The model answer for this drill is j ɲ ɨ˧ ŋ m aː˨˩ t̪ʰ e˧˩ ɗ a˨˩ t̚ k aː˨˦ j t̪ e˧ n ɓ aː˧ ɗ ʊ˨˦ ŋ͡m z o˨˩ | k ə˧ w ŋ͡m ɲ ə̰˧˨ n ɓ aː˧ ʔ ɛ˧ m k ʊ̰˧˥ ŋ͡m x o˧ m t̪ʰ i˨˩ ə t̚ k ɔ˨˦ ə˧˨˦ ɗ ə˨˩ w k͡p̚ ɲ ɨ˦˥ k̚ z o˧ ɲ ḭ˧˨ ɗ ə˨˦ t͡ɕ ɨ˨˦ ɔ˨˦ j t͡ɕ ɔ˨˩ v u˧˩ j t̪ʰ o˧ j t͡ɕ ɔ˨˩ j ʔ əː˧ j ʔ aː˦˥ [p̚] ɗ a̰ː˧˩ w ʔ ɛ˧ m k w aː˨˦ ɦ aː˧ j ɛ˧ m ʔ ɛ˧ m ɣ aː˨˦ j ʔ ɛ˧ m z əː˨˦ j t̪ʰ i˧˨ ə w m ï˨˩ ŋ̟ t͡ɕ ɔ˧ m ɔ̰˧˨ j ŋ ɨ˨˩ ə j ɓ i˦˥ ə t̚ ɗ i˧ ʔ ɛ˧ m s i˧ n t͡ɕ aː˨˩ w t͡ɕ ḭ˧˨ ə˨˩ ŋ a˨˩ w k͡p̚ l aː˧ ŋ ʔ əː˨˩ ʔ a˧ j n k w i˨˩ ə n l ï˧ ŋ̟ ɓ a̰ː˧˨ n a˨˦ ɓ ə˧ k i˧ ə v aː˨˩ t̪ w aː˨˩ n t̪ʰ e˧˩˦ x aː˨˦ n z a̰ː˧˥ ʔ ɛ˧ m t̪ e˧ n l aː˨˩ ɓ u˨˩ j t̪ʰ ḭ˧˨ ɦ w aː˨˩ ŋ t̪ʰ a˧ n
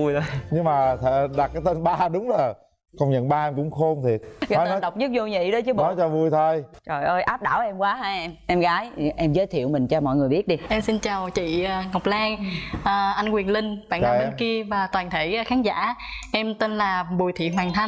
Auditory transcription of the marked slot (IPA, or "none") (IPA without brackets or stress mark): p̚